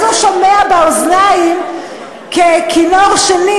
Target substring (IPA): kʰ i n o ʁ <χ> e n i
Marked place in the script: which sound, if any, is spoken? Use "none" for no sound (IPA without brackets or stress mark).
ʃ